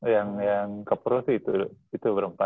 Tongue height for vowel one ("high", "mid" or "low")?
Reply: low